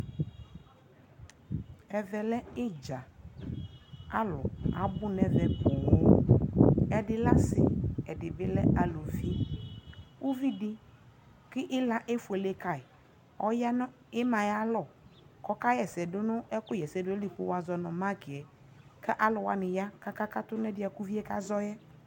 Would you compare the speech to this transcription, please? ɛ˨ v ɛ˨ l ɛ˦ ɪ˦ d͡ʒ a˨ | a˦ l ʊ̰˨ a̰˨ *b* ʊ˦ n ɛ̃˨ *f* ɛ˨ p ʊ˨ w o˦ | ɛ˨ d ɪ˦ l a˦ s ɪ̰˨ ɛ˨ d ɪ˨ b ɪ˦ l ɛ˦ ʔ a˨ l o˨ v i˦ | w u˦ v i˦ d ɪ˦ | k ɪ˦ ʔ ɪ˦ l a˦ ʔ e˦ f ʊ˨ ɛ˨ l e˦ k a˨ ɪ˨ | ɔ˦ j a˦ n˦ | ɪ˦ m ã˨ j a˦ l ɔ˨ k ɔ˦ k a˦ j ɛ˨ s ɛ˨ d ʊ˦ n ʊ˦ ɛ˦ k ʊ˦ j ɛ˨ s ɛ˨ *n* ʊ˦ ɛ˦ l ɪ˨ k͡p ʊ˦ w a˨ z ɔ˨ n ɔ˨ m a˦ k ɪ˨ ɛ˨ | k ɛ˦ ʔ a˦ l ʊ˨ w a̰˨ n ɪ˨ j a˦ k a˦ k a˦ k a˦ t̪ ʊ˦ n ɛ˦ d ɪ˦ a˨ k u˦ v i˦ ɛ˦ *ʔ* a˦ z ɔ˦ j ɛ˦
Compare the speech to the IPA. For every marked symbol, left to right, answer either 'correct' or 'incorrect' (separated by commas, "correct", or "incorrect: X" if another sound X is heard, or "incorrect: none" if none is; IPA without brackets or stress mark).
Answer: correct, incorrect: v, incorrect: d, incorrect: k